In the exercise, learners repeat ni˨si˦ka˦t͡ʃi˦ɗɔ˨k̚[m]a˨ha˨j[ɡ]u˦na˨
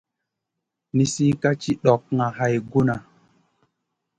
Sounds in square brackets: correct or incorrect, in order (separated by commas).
incorrect, correct